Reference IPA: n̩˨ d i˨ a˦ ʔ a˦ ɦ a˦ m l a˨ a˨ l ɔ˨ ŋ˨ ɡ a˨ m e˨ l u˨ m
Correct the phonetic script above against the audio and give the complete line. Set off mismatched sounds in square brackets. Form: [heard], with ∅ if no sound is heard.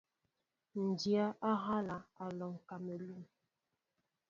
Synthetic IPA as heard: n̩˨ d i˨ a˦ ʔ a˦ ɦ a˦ [∅] l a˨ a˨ l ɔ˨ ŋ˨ [k] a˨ m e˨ l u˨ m